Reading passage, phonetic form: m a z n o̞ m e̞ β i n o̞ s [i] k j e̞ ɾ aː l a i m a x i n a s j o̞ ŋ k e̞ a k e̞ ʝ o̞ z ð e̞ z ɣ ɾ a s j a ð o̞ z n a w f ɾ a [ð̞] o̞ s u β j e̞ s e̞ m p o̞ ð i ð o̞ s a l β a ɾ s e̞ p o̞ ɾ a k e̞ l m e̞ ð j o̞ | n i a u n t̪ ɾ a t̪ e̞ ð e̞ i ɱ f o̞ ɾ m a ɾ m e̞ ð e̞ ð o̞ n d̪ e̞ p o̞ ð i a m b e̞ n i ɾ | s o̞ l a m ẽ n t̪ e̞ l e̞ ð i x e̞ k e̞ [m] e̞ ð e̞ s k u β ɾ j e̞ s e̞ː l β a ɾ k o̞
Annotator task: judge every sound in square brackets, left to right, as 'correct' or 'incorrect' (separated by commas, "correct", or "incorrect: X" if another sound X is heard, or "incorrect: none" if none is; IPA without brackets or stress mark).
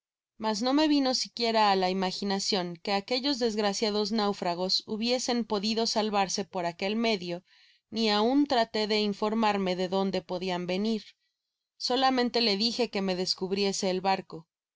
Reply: correct, incorrect: ɣ̞, correct